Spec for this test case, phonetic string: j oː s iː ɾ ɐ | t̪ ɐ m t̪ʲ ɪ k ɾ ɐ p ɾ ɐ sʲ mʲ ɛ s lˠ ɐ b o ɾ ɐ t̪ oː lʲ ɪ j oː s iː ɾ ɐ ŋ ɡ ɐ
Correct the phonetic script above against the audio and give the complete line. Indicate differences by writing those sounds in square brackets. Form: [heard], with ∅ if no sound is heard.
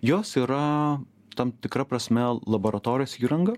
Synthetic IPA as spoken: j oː s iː ɾ ɐ | t̪ ɐ m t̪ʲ ɪ k ɾ ɐ p ɾ ɐ sʲ mʲ ɛ [∅] lˠ ɐ b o ɾ ɐ t̪ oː [ɾʲ] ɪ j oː s iː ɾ ɐ ŋ ɡ ɐ